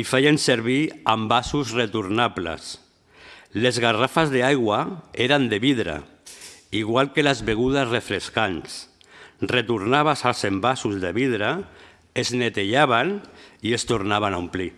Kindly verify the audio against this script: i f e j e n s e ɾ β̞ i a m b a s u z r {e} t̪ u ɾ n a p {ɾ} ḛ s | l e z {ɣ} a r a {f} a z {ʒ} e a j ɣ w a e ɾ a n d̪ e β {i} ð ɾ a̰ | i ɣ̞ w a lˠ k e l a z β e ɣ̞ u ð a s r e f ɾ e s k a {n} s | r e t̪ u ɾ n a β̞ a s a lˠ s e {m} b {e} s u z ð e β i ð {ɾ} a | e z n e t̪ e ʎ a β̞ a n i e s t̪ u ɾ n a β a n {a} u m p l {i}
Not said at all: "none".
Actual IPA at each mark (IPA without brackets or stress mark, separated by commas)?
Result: e, l, ɣ, f, ð, i, n, m, a, ɾ, a, i